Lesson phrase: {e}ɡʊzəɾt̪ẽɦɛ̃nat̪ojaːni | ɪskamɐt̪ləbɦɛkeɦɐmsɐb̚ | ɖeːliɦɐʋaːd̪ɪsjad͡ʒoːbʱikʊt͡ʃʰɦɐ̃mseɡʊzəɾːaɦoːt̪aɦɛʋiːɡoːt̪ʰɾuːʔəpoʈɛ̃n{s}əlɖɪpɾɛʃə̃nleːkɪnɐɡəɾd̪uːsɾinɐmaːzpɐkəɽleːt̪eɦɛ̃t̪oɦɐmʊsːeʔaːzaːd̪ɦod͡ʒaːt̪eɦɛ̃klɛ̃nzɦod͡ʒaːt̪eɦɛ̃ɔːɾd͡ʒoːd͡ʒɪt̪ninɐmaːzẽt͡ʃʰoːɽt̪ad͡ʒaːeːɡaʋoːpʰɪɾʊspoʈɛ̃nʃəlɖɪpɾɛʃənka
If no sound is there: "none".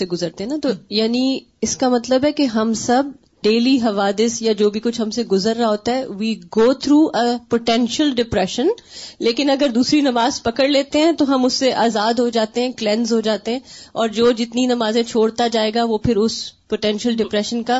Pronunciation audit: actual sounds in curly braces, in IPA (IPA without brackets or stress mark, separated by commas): e, ʃ